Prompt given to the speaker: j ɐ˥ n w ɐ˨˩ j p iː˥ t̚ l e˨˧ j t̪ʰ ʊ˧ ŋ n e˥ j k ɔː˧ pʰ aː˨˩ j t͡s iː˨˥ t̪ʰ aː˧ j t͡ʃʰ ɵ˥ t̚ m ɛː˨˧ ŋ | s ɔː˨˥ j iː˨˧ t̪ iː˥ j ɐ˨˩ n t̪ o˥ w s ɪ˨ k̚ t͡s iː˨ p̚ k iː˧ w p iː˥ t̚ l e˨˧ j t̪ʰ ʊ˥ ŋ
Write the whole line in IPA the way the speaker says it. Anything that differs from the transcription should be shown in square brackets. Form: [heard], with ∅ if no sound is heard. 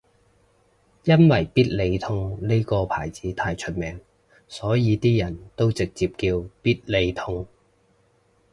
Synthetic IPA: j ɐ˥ n w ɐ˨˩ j p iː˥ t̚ l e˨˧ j t̪ʰ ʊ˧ ŋ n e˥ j k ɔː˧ pʰ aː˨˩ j t͡s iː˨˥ t̪ʰ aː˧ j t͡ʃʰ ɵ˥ t̚ m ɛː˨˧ ŋ | s ɔː˨˥ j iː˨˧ t̪ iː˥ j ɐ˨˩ n t̪ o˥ w [t͡s] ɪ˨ k̚ t͡s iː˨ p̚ k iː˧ w p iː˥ t̚ l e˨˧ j t̪ʰ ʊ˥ ŋ